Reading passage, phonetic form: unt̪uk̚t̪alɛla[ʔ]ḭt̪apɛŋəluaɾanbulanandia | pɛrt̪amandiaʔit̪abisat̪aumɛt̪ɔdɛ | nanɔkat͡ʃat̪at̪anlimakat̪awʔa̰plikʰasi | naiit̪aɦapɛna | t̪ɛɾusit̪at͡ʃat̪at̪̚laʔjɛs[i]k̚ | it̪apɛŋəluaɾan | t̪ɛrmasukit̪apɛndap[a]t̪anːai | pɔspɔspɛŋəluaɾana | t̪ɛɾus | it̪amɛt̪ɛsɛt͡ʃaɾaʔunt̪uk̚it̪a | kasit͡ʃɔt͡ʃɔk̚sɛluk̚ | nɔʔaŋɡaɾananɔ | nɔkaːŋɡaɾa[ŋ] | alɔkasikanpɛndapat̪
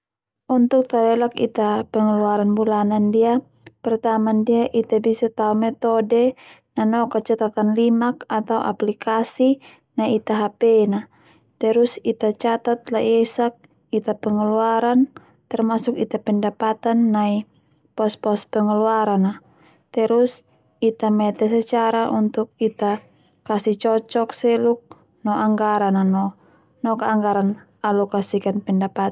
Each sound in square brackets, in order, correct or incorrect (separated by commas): incorrect, incorrect, correct, incorrect